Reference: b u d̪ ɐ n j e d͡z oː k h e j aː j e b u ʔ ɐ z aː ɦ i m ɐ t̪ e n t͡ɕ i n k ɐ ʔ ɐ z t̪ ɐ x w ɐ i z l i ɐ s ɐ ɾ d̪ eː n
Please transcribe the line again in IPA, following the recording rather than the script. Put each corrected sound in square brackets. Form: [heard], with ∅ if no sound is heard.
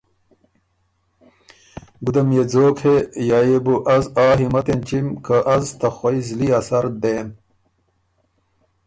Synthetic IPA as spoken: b u d̪ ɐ [m] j e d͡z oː k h e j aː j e b u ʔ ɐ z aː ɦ i m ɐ t̪ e n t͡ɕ i [m] k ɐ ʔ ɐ z t̪ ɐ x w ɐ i z l i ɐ s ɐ ɾ d̪ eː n

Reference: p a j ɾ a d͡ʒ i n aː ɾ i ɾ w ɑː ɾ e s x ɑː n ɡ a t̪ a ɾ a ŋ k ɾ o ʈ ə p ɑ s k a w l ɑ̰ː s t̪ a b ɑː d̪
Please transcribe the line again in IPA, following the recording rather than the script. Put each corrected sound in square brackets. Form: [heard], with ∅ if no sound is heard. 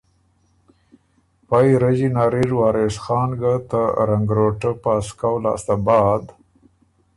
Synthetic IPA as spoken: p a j ɾ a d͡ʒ i n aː ɾ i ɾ w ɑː ɾ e s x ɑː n ɡ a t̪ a ɾ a ŋ [ɡ] ɾ o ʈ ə p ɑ s k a w l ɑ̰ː s t̪ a b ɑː d̪

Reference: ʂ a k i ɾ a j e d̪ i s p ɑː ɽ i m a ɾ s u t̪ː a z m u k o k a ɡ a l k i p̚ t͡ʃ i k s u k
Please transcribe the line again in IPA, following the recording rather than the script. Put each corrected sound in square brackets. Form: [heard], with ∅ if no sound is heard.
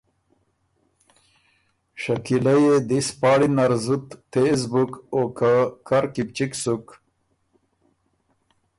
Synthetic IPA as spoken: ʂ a k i [l] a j e d̪ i s p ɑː ɽ i [n] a ɾ [z] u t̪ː [e] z [b] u k o k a [k] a [ɾ] k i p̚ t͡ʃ i k s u k

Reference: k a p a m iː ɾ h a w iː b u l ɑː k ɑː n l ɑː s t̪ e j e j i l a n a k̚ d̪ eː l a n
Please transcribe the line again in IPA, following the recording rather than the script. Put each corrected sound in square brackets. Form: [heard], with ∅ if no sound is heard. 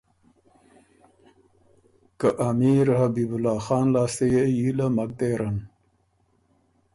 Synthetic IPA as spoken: k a [ʔ] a m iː ɾ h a [b] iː b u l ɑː [x] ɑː n l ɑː s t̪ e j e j i l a [m] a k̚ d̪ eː [ɾ] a n

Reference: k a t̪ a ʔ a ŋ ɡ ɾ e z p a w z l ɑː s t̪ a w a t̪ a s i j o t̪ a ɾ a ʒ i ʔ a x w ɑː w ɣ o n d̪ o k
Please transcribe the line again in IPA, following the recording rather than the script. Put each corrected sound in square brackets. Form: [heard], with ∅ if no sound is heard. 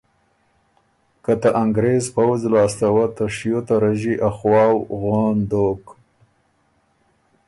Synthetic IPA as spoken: k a t̪ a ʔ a ŋ ɡ ɾ e z p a w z l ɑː s t̪ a w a t̪ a [ʂ] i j o t̪ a ɾ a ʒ i ʔ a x w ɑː w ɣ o n d̪ o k

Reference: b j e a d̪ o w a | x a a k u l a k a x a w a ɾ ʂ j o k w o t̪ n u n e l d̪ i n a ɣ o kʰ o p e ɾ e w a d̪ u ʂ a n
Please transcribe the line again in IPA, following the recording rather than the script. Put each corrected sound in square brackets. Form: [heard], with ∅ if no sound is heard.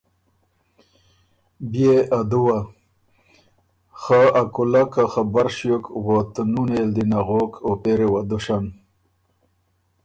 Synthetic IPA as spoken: b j e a d̪ [u] w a | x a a k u l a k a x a [b] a ɾ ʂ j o k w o t̪ n u n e l d̪ i n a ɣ o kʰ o p e ɾ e w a d̪ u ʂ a n

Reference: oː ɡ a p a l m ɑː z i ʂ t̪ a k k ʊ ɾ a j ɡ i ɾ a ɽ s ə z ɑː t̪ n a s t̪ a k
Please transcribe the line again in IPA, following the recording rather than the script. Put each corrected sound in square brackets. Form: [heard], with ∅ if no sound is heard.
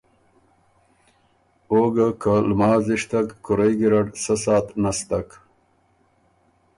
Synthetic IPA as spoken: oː ɡ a [k] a l m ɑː z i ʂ t̪ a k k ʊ ɾ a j ɡ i ɾ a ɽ s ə [s] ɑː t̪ n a s t̪ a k

